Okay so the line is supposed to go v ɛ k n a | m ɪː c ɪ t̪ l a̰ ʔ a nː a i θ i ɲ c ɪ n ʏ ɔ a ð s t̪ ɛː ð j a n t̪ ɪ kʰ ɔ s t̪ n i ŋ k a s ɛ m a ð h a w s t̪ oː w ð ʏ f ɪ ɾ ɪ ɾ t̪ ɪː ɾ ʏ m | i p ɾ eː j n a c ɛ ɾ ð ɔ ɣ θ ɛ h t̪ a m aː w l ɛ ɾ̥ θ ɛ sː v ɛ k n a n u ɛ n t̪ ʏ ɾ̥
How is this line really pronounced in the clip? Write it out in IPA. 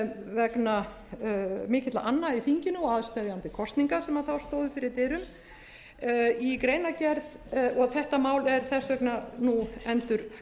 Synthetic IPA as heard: v ɛ k n a | m ɪː c ɪ t̪ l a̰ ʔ a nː a i θ i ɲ c ɪ n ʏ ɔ a ð s t̪ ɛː ð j a n t̪ ɪ kʰ ɔ s t̪ n i ŋ k a s ɛ m a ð θ a w s t̪ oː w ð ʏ f ɪ ɾ ɪ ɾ t̪ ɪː ɾ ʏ m | i k ɾ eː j n a c ɛ ɾ ð ɔ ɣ θ ɛ h t̪ a m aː w l ɛ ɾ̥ θ ɛ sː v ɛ k n a n u ɛ n t̪ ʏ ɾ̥